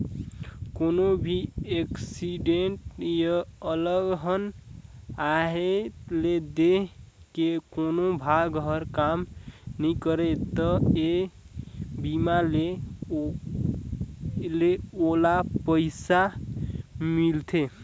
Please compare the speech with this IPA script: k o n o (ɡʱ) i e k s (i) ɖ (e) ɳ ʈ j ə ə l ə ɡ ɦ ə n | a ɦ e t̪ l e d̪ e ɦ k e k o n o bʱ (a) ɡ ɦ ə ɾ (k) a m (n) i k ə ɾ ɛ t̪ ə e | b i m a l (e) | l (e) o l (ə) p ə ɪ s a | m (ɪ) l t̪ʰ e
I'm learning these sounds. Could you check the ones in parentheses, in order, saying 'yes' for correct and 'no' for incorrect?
no, yes, yes, yes, yes, yes, yes, yes, no, no

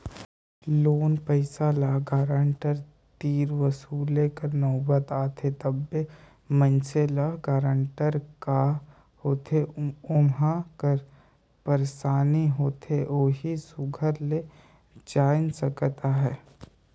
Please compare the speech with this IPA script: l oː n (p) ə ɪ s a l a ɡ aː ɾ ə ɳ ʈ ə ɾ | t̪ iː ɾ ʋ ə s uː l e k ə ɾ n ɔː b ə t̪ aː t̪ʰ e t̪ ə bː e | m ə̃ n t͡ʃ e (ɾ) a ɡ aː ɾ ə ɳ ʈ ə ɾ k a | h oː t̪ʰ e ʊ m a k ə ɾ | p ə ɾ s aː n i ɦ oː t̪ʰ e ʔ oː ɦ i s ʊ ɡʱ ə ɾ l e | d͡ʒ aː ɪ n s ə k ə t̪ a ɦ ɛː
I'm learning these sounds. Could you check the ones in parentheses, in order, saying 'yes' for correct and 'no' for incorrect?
yes, no

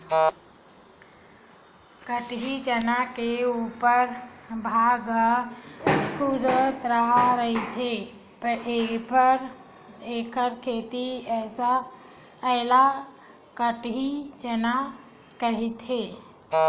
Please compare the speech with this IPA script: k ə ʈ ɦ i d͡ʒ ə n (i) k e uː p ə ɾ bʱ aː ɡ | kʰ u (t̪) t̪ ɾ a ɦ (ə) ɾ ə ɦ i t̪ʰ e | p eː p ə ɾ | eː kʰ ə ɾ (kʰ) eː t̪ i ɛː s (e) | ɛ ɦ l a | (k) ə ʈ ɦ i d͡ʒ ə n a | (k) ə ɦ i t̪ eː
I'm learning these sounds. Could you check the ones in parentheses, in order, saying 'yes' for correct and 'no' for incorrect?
no, no, no, yes, no, yes, yes

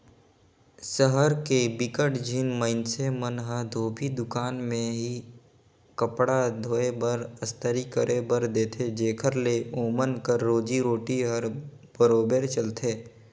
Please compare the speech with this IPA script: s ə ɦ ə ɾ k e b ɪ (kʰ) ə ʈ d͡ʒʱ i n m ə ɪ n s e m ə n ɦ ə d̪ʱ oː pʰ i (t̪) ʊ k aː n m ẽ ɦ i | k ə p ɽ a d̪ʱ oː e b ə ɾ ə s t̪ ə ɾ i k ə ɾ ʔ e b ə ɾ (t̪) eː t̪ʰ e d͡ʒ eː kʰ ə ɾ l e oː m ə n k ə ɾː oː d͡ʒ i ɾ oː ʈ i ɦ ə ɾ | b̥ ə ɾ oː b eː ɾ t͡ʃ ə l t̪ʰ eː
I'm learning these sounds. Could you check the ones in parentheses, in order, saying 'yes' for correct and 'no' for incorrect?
no, no, no

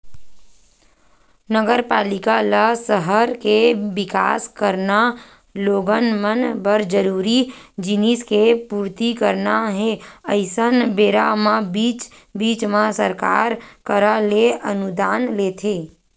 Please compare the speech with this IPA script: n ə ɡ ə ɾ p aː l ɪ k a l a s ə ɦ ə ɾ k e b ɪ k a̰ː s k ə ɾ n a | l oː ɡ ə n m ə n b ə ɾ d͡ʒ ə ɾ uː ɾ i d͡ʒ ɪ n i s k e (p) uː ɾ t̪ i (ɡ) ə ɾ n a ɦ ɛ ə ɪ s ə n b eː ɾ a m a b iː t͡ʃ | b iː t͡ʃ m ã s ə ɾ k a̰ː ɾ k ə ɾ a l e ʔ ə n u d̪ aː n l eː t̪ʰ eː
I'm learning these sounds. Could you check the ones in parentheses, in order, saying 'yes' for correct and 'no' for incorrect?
yes, no

